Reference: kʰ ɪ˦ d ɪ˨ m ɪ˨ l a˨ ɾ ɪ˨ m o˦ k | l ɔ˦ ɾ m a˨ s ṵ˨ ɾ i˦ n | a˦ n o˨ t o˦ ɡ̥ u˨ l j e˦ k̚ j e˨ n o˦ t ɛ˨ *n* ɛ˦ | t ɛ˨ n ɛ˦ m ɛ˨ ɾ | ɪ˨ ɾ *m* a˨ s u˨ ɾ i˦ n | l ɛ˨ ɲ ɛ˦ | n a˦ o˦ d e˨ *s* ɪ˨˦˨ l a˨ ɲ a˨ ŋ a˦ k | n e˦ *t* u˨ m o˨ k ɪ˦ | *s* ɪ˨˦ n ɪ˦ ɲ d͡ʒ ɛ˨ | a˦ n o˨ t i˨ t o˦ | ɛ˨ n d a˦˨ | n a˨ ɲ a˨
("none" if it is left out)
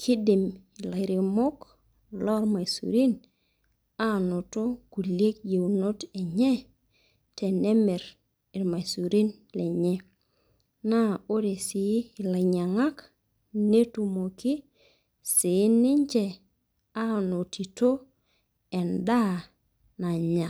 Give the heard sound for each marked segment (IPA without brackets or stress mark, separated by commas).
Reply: ɲ, m, s, t, s